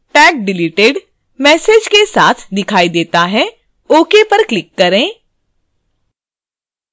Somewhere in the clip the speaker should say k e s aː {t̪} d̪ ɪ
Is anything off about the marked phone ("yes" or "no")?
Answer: yes